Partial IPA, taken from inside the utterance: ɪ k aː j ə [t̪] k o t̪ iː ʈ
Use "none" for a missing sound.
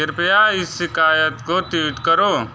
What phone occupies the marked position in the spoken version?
t̪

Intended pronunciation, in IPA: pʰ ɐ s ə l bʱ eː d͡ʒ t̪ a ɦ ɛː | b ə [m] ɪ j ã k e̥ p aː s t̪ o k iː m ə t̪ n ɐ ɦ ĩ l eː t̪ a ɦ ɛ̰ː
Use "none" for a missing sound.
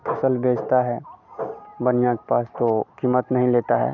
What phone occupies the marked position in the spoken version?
n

